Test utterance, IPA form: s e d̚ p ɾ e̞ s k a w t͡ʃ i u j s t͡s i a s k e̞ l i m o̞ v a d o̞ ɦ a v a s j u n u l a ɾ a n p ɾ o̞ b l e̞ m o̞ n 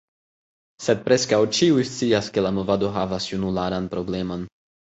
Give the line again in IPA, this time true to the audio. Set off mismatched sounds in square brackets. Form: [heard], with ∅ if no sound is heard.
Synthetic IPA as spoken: s e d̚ p ɾ e̞ s k a w t͡ʃ i u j s t͡s i a s k e̞ l [a] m o̞ v a d o̞ ɦ a v a s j u n u l a ɾ a n p ɾ o̞ b l e̞ m o̞ n